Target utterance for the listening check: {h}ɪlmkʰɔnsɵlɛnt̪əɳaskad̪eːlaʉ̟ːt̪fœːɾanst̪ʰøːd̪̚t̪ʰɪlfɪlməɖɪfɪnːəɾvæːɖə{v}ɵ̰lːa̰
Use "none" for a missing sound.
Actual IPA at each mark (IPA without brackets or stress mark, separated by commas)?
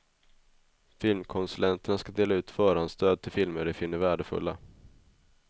f, f